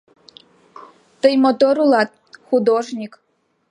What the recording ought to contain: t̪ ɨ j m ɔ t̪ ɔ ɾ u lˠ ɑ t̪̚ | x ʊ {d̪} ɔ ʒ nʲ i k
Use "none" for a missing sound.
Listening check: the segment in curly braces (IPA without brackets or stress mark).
d̪